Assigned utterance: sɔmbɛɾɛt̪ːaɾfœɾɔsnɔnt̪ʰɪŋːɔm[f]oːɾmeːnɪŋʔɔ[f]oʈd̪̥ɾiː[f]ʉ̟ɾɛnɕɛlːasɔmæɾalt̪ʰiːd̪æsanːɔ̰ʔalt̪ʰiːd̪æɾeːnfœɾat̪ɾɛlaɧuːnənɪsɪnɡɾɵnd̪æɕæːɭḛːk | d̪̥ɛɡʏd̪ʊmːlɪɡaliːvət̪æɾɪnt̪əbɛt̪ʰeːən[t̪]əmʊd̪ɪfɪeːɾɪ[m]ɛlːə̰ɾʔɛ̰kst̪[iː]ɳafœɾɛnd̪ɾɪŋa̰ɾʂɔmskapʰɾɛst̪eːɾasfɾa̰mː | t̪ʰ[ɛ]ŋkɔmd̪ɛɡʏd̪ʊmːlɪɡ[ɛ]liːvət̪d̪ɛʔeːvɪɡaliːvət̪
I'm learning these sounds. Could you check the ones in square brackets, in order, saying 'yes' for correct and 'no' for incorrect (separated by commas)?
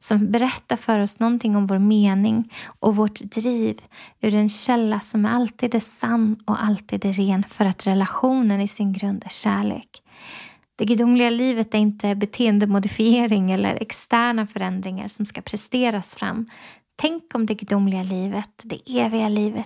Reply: no, no, no, no, no, no, yes, no